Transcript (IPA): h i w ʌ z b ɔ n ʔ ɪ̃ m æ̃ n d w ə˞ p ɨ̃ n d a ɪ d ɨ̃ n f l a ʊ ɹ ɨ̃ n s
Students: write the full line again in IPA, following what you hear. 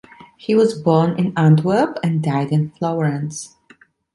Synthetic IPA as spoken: h i w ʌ z b ɔ n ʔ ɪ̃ n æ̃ n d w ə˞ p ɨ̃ n d a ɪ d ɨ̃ n f l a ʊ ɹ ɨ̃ n s